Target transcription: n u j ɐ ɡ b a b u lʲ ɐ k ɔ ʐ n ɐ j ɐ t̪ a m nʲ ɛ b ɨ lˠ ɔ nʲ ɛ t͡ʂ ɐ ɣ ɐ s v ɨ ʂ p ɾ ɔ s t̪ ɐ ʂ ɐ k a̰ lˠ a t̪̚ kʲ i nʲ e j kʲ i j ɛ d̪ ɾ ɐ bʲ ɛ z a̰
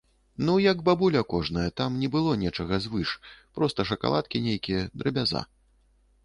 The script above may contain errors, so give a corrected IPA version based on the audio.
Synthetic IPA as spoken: n u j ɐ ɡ b a b u lʲ ɐ k ɔ ʐ n ɐ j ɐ t̪ a m nʲ ɛ b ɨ lˠ ɔ nʲ ɛ t͡ʂ ɐ ɣ ɐ z v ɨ ʂ p ɾ ɔ s t̪ ɐ ʂ ɐ k a̰ lˠ a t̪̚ kʲ i nʲ e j kʲ i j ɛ d̪ ɾ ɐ bʲ a z a̰